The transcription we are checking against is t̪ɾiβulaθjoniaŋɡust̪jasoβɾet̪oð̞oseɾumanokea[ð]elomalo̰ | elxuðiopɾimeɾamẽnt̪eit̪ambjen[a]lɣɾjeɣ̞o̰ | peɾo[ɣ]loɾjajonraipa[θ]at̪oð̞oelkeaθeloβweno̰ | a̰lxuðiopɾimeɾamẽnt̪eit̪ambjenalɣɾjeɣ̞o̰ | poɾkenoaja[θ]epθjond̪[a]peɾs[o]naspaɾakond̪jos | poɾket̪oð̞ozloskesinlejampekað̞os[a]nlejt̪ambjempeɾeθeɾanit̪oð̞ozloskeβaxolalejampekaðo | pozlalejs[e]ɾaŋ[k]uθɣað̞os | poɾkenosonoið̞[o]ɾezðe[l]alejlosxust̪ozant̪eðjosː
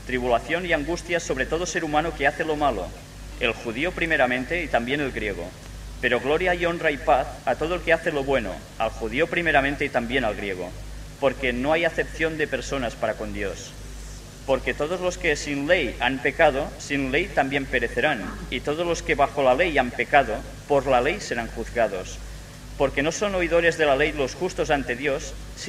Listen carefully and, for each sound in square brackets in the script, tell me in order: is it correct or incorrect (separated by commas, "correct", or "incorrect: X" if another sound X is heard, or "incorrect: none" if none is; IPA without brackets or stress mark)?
incorrect: θ, incorrect: e, correct, correct, correct, incorrect: e, correct, incorrect: i, correct, incorrect: x, correct, correct